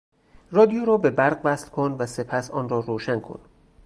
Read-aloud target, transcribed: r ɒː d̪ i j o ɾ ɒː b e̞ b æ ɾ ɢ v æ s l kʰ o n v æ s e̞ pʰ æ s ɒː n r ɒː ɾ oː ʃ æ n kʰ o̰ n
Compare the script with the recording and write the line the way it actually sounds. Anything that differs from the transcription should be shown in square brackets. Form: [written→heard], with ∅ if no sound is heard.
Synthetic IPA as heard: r ɒː d̪ i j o ɾ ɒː b e̞ b æ ɾ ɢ v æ s l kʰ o n v æ s e̞ pʰ æ s ɒː n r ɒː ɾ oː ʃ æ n kʰ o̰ n